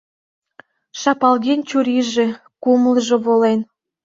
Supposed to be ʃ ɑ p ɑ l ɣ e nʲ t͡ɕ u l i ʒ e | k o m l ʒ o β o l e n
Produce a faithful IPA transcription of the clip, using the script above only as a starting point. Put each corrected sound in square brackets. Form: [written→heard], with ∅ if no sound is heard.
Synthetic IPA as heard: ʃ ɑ p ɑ l ɣ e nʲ t͡ɕ u [l→ɾ] i ʒ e | k [o→u] m l ʒ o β o l e n